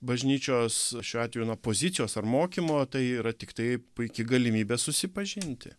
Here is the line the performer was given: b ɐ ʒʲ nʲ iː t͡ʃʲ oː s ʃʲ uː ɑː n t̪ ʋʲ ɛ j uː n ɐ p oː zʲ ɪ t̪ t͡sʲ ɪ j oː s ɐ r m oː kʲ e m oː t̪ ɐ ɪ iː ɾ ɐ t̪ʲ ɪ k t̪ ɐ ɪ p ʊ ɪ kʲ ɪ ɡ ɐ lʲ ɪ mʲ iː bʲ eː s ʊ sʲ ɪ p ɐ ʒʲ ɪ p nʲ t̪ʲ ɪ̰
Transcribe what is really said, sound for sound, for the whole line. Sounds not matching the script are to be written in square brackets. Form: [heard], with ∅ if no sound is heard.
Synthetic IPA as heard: b ɐ ʒʲ nʲ iː t͡ʃʲ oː s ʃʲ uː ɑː [∅] t̪ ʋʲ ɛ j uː n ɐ p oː zʲ ɪ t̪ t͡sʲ ɪ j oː s ɐ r m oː kʲ [i] m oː t̪ ɐ ɪ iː ɾ ɐ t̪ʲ ɪ k t̪ ɐ ɪ p ʊ ɪ kʲ ɪ ɡ ɐ lʲ ɪ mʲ iː bʲ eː s ʊ sʲ ɪ p ɐ ʒʲ ɪ [∅] nʲ t̪ʲ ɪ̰